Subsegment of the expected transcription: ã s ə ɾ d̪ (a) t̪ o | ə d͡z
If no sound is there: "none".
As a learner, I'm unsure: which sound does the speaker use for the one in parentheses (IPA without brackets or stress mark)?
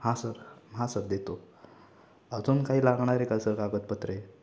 e